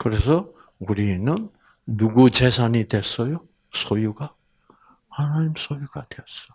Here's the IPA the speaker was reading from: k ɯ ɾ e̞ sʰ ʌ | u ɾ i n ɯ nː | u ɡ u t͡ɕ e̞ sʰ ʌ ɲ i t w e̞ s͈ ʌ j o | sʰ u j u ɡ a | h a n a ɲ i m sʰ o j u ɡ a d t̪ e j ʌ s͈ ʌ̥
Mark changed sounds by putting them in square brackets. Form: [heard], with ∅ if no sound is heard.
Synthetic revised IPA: k ɯ ɾ e̞ sʰ ʌ | u ɾ i n ɯ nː | u ɡ u t͡ɕ e̞ sʰ [a] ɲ i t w e̞ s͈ ʌ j o | sʰ [o] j u ɡ a | h a n a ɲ i m sʰ o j u ɡ a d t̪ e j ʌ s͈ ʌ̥